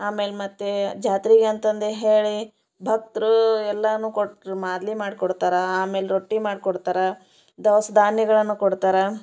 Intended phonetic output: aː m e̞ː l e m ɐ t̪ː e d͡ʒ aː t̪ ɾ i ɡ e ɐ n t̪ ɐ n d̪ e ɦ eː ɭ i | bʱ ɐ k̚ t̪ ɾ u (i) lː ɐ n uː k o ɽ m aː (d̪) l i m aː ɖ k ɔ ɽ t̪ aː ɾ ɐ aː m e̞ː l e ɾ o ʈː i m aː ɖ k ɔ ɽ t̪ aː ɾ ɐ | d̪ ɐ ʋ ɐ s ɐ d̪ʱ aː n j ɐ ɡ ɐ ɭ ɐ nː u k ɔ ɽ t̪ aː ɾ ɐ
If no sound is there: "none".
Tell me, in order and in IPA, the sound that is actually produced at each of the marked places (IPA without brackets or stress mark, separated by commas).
ɛ, d̪